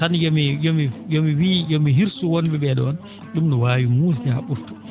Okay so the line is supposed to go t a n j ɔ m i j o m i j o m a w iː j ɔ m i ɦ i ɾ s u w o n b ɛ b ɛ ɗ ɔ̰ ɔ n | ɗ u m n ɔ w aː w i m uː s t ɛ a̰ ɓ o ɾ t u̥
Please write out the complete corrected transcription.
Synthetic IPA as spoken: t a n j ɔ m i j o m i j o m i w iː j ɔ m i ɦ i ɾ s u w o n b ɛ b ɛ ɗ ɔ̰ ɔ n | ɗ u m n ɔ w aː w i m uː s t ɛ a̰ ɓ u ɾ t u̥